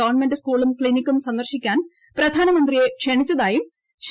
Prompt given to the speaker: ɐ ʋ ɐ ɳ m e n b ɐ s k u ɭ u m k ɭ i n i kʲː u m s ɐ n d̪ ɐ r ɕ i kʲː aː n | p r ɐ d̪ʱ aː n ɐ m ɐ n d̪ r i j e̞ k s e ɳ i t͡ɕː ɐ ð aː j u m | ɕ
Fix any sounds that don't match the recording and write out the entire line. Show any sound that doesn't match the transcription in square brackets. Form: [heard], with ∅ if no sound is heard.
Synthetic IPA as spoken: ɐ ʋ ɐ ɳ m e n [d] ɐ s k [uː] ɭ u m k ɭ i n i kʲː u m s ɐ n d̪ ɐ r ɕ i kʲː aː n | p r ɐ d̪ʱ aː n ɐ m ɐ n d̪ r i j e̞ k [ʂ] e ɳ i t͡ɕː ɐ ð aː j u m | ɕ